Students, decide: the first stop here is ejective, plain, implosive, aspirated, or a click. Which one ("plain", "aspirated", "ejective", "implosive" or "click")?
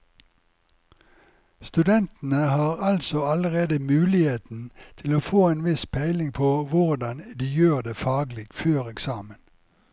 plain